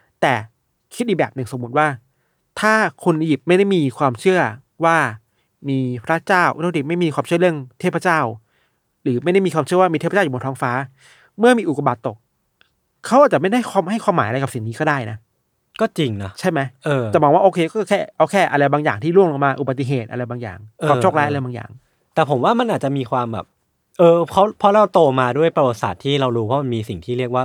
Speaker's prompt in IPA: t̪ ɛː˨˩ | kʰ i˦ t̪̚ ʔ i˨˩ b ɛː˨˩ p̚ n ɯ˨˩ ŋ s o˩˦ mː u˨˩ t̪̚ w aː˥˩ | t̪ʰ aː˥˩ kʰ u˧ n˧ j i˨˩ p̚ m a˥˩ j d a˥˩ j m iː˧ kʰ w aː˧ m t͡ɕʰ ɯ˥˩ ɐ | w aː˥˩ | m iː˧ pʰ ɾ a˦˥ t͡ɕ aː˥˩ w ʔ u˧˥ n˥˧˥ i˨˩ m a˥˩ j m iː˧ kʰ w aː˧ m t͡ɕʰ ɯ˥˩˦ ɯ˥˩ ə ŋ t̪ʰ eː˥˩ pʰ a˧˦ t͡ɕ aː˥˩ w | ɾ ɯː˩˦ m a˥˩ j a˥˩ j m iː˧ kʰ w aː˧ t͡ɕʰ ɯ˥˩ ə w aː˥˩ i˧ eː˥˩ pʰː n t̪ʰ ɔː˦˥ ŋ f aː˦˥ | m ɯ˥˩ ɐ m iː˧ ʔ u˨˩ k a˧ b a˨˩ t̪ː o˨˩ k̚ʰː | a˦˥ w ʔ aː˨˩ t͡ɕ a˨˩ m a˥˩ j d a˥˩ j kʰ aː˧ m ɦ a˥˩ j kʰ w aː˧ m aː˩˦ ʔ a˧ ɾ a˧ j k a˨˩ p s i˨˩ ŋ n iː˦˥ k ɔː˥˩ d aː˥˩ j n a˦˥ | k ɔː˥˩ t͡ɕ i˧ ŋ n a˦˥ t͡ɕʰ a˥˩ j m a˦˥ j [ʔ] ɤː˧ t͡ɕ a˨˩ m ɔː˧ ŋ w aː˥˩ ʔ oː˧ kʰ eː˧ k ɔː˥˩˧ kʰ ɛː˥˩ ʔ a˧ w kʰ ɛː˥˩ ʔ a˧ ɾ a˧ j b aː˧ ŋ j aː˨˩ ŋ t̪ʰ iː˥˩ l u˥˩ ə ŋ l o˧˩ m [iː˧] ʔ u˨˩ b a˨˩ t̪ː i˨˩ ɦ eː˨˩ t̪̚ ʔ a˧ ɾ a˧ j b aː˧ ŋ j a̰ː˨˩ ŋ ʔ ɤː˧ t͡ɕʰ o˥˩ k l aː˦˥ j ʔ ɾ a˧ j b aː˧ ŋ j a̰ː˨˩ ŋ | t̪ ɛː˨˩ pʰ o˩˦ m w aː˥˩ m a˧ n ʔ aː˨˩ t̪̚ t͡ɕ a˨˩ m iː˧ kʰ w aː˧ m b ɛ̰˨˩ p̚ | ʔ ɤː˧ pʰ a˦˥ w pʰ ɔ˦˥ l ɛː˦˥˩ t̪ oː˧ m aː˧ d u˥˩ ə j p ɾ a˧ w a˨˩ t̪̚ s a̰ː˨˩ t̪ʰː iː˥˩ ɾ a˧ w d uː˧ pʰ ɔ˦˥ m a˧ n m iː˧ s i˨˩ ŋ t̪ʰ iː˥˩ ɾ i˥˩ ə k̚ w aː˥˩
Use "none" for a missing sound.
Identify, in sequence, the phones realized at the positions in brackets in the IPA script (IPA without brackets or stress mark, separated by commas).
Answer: ʔ, aː˧